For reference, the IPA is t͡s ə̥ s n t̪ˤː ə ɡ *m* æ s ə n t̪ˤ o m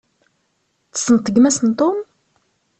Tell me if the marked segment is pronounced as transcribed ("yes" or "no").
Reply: yes